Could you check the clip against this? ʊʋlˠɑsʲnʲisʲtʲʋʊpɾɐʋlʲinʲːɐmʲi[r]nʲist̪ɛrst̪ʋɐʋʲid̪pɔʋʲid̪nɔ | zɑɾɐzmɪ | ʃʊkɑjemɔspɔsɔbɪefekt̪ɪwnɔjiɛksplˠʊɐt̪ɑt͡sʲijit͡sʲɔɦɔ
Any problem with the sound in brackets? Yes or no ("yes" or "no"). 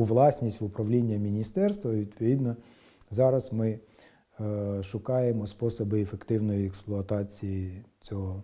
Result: yes